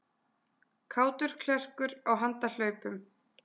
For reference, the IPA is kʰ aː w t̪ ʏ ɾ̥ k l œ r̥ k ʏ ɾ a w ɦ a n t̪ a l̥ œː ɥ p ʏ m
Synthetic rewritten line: kʰ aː w t̪ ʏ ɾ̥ kʰ l ɛ r̥ k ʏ ɾ a w ɦ a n t̪ a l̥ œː ɥ p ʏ m